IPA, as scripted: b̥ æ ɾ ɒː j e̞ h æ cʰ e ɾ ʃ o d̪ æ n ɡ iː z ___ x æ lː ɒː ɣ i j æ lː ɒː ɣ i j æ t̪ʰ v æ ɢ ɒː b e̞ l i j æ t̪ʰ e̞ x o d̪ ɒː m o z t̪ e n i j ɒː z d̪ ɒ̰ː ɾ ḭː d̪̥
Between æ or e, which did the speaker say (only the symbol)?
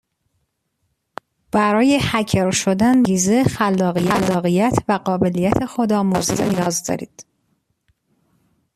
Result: e